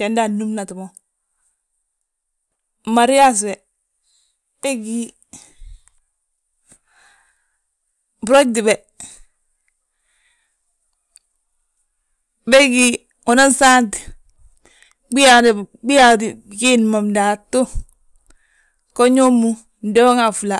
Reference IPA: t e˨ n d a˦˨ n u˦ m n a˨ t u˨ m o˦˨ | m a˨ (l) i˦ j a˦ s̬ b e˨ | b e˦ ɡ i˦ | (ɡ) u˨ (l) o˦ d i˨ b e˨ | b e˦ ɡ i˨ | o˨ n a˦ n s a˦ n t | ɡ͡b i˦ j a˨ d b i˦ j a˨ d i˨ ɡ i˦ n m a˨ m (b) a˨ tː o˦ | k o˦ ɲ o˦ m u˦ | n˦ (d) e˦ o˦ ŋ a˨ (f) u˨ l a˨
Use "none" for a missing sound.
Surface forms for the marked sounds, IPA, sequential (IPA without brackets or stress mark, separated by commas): ɾ, b, ɾ, d, d, f